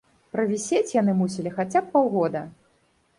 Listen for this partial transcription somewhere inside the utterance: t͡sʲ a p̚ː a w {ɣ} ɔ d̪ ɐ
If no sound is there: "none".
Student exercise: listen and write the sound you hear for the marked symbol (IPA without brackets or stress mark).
ɣ